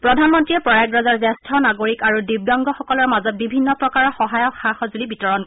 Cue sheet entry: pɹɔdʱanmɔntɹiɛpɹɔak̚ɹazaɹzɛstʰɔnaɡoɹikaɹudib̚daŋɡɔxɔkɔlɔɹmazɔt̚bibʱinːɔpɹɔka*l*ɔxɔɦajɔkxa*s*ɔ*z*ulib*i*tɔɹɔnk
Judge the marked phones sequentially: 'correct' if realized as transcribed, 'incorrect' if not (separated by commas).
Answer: incorrect, incorrect, correct, correct